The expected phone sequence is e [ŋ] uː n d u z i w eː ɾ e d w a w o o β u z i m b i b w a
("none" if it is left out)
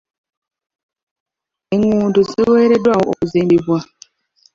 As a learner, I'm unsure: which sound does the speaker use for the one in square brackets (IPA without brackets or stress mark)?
ŋ